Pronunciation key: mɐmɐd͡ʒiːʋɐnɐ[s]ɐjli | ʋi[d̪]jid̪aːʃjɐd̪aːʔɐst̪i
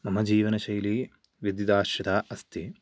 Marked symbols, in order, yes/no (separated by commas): no, yes